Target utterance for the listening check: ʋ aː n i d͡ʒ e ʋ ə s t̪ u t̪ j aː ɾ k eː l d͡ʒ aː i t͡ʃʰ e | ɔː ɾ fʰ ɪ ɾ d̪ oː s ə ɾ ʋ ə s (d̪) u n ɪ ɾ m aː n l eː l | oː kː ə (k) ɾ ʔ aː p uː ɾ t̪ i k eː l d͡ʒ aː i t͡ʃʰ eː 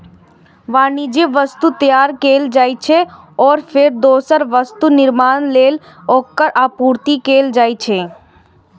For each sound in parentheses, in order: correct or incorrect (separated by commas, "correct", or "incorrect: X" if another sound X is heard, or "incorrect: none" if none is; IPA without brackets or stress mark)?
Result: incorrect: t̪, incorrect: none